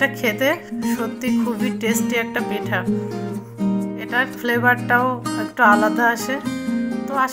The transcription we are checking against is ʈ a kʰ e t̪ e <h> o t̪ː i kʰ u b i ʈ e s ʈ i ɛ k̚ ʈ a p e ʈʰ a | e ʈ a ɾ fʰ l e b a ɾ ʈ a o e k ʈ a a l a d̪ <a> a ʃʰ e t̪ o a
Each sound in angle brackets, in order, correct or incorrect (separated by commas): incorrect, correct